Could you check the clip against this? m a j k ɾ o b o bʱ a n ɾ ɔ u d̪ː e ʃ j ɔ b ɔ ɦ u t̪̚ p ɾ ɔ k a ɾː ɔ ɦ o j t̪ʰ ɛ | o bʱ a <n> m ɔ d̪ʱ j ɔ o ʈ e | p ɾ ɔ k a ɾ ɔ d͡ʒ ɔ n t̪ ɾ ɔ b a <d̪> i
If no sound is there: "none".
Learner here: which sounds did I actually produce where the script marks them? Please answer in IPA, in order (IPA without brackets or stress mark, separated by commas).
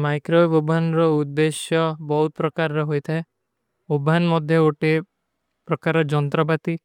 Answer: n, t̪